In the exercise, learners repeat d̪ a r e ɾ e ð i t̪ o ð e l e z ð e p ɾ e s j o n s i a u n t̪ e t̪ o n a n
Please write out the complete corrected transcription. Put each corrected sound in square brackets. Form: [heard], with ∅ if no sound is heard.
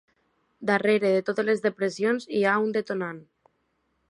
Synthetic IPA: d̪ a r e ɾ e ð [e] t̪ o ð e l e z ð e p ɾ e s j o n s i a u n [d̪] e t̪ o n a n

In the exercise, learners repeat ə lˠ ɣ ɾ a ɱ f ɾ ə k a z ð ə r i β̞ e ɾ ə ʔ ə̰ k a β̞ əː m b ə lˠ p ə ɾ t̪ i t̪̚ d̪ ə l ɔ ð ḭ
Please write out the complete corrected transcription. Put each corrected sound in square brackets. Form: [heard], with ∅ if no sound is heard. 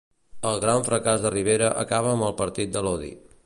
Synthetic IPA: ə lˠ ɣ ɾ a ɱ f ɾ ə k a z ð ə r i β̞ e ɾ ə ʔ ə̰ k a β̞ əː m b ə lˠ p ə ɾ t̪ i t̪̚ d̪ ə l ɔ ð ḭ

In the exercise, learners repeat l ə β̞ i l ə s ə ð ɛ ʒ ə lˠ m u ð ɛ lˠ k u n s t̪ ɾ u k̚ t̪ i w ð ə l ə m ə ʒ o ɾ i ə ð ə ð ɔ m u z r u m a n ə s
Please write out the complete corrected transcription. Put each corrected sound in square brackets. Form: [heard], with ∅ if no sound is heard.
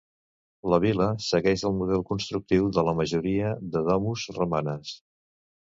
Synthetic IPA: l ə β̞ i l ə s ə [ɣ] ɛ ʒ ə lˠ m u ð ɛ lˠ k u n s t̪ ɾ u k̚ t̪ i w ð ə l ə m ə ʒ [u] ɾ i ə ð ə ð ɔ m u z r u m a n ə s

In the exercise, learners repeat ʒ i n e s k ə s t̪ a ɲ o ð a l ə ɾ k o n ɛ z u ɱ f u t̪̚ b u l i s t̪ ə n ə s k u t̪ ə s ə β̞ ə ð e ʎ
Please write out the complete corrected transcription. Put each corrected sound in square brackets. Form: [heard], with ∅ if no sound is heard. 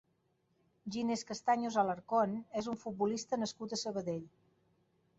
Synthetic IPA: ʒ i n e s k ə s t̪ a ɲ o [z] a l ə ɾ k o n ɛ z u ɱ f u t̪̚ b u l i s t̪ ə n ə s k u t̪ ə s ə β̞ ə ð e ʎ

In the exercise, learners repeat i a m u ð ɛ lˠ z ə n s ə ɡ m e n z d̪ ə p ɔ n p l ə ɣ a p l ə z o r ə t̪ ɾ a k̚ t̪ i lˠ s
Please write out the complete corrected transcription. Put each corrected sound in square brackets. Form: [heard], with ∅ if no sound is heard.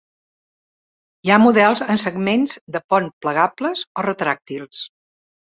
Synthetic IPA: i a m u ð ɛ lˠ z ə n s ə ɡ m e n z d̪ ə p ɔ n p l ə ɣ a p l ə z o r ə t̪ ɾ a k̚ t̪ i lˠ s

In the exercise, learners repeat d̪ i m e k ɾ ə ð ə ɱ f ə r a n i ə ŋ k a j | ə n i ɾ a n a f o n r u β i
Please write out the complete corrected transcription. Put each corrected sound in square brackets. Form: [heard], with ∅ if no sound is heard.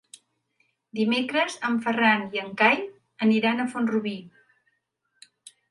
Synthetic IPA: d̪ i m e k ɾ ə [z] ə ɱ f ə r a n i ə ŋ k a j | ə n i ɾ a n [ə] f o n r u β i

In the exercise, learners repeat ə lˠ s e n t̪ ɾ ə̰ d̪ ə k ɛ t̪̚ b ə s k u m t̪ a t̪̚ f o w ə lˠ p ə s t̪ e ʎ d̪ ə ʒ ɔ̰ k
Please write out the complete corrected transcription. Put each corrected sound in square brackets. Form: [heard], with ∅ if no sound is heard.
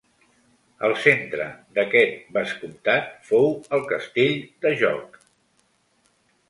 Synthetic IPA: ə lˠ s e n t̪ ɾ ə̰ d̪ ə k ɛ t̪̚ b ə s k u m t̪ a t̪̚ f o w ə lˠ [k] ə s t̪ e ʎ d̪ ə ʒ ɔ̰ k

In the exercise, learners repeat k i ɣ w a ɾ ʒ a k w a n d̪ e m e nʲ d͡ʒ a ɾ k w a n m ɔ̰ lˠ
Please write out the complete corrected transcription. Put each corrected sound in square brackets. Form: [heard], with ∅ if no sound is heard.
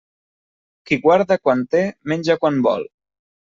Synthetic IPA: k i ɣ w a ɾ [ð] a k w a n [t̪] e m e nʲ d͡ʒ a [∅] k w a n [b] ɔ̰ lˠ

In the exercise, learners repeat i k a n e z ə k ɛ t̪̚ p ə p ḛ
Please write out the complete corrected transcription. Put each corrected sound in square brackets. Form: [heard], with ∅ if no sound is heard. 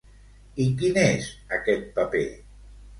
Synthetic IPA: i k [i] n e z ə k ɛ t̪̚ p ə p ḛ

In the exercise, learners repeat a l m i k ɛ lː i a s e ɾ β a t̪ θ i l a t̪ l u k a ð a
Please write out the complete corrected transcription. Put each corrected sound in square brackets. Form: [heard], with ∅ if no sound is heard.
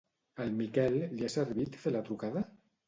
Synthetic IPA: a l m i k ɛ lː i a s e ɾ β [i] t̪ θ [e] l a t̪ [ɾ] u k a ð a

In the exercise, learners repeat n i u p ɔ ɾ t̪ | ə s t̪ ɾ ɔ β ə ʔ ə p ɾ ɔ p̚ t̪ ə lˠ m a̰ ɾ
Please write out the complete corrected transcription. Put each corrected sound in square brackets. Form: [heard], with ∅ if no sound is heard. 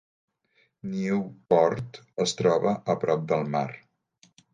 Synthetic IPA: n i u p ɔ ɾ t̪ | ə s t̪ ɾ ɔ β ə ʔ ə p ɾ ɔ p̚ [d̪] ə lˠ m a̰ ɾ

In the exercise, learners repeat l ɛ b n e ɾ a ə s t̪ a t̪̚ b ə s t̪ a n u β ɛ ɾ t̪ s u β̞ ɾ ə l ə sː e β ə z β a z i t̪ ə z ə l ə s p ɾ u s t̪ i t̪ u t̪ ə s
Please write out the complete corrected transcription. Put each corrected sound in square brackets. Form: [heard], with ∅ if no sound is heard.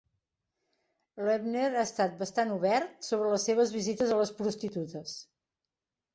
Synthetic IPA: l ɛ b n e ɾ a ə s t̪ a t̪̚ b ə s t̪ a n u β ɛ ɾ t̪ s [o] β̞ ɾ ə l ə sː e β ə z β [i] z i t̪ ə z ə l ə s p ɾ u s t̪ i t̪ u t̪ ə s

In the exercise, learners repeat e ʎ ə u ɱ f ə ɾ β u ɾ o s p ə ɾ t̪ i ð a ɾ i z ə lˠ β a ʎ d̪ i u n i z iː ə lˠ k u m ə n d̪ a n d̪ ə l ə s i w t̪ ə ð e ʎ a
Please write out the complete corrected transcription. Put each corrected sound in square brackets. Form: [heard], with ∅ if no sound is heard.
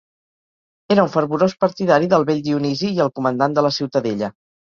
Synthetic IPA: e [ɾ] ə u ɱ f ə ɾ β u ɾ o s p ə ɾ t̪ i ð a ɾ i [ð] ə lˠ β [e] ʎ d̪ i u n i z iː ə lˠ k u m ə n d̪ a n d̪ ə l ə s i w t̪ ə ð e ʎ [ə]

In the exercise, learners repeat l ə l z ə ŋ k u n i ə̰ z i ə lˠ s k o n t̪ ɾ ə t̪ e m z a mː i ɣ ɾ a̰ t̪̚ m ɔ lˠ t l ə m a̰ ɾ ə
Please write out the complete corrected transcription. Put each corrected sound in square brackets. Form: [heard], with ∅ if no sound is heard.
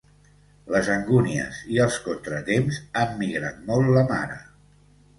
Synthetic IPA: l ə [∅] z ə ŋ [ɡ] u n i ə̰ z i ə lˠ s k o n t̪ ɾ ə t̪ e m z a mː i ɣ ɾ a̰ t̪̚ m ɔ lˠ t l ə m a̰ ɾ ə

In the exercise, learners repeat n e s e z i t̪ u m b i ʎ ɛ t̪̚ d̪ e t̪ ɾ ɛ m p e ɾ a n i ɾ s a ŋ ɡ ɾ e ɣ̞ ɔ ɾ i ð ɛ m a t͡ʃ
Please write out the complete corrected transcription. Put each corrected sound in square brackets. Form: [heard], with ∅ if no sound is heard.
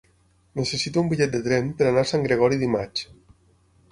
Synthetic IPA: n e s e [s] i t̪ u m b i ʎ ɛ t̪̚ d̪ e t̪ ɾ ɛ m p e ɾ a n [a] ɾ s a ŋ ɡ ɾ e ɣ̞ ɔ ɾ i ð [i] m a t͡ʃ

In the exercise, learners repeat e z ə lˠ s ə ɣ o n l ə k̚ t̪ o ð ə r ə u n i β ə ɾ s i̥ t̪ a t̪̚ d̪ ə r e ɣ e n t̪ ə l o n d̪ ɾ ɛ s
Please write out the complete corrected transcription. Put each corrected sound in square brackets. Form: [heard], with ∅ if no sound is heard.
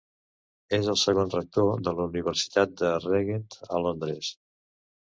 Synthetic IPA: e z ə lˠ s ə ɣ o n [r] ə k̚ t̪ o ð ə [l] ə u n i β ə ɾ s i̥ t̪ a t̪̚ d̪ ə r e ɣ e n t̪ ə l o n d̪ ɾ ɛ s

